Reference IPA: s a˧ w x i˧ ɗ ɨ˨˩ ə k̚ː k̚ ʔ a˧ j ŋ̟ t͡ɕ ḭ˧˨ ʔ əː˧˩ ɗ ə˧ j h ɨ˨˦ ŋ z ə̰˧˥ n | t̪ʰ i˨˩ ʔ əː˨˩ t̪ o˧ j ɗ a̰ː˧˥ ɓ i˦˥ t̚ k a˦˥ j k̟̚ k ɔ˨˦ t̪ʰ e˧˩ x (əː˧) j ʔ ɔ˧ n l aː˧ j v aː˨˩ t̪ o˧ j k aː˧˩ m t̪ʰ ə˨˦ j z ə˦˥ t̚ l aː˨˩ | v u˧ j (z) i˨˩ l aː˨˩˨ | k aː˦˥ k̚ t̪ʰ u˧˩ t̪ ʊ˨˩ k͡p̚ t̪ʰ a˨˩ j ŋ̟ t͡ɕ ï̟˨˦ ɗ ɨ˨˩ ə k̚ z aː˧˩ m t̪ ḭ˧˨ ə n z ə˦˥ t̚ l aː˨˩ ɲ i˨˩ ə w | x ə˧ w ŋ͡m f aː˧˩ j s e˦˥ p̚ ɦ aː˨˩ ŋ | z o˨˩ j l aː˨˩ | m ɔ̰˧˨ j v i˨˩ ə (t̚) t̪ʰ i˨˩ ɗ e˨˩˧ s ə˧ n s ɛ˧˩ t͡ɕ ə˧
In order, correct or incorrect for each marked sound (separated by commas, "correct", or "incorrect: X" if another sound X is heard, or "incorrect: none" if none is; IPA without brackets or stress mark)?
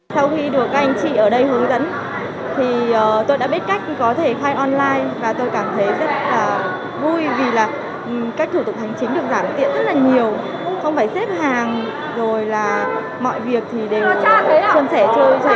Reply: incorrect: aː˧, incorrect: v, incorrect: k̚